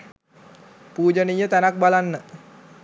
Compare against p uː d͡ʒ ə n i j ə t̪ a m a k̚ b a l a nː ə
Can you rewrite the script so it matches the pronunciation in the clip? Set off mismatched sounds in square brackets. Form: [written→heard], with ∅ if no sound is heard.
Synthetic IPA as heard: p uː d͡ʒ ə n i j ə t̪ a [m→n] a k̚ b a l a nː ə

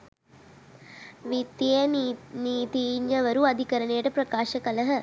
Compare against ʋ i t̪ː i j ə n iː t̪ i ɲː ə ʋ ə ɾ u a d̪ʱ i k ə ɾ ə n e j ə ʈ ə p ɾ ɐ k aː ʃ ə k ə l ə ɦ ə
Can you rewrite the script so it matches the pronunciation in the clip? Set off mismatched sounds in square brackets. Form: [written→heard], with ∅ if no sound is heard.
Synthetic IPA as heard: ʋ i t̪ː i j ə n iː t̪ i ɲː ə ʋ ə ɾ u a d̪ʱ i k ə ɾ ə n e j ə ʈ ə p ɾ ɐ k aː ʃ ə k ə l ə ɦ ə

